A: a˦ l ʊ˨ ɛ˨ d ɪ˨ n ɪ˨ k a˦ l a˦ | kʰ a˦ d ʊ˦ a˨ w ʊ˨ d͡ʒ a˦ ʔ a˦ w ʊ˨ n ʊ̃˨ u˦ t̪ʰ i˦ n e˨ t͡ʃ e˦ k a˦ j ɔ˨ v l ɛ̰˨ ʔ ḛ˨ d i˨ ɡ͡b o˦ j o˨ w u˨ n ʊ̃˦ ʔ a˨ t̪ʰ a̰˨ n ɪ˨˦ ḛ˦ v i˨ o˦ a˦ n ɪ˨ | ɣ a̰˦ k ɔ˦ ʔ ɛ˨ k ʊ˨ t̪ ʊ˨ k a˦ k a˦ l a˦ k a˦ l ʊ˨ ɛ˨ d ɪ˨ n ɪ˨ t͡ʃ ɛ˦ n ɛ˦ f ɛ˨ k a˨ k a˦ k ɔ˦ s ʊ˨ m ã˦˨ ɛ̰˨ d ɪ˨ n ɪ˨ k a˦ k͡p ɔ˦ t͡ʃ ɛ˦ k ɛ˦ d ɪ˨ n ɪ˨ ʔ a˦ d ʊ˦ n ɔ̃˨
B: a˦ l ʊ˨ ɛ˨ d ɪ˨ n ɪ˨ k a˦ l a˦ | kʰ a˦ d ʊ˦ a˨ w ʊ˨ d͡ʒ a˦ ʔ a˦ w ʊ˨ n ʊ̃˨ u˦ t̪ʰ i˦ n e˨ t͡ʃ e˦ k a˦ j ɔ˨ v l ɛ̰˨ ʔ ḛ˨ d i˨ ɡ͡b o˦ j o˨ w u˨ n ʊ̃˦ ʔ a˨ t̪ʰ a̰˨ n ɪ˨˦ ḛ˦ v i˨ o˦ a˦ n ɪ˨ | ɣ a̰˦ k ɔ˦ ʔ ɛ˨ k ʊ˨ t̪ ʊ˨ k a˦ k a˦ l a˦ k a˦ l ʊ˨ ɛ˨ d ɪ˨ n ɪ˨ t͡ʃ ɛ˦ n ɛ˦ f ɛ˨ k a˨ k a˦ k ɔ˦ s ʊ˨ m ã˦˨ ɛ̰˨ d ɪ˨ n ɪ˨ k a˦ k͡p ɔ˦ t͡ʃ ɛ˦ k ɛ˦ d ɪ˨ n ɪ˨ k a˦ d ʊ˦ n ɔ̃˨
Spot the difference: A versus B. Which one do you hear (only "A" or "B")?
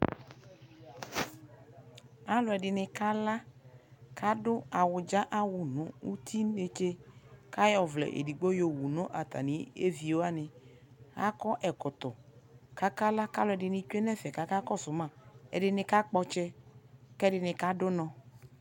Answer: B